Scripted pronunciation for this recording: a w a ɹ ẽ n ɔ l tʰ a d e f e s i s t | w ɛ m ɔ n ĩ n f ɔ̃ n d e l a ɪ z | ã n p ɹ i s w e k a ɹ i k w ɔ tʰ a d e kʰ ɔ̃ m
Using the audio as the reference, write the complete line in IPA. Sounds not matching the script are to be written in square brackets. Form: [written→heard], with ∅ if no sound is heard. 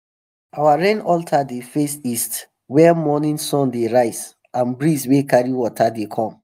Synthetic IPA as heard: a w a ɹ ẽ n ɔ l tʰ a d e f e s i s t | w ɛ m ɔ n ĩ n [f→s] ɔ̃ n d e [l→ɹ] a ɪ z | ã n [p→b] ɹ i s w e k a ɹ i [k→∅] w ɔ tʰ a d e kʰ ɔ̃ m